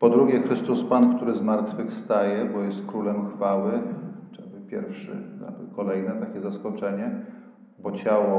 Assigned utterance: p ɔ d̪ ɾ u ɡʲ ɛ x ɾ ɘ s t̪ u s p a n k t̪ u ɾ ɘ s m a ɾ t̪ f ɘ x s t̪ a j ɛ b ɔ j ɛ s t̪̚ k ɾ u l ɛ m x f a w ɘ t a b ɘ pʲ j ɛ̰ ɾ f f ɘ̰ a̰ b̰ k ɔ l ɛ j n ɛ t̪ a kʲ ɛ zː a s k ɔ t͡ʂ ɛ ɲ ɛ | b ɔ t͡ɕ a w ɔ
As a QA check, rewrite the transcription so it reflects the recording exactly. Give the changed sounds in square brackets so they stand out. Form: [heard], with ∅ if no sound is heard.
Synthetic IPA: p ɔ d̪ ɾ u ɡʲ ɛ x ɾ ɘ s t̪ u s p a n k t̪ u ɾ ɘ [z] m a ɾ t̪ f ɘ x s t̪ a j ɛ b ɔ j ɛ s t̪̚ k ɾ u l ɛ m x f a w ɘ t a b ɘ pʲ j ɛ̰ ɾ f [ʂ] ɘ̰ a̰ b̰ k ɔ l ɛ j n ɛ t̪ a kʲ ɛ [z] a s k ɔ t͡ʂ ɛ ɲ ɛ | b ɔ t͡ɕ a w ɔ